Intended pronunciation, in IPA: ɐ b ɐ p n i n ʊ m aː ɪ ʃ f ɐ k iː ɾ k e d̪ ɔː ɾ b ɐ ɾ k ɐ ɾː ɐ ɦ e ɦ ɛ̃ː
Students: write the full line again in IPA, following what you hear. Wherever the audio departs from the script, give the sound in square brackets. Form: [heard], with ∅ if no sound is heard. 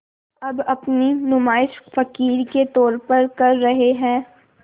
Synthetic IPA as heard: ɐ b ɐ p n i n ʊ m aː ɪ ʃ f ɐ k iː ɾ k e [t̪] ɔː ɾ [p] ɐ ɾ k ɐ ɾː ɐ ɦ e ɦ ɛ̃ː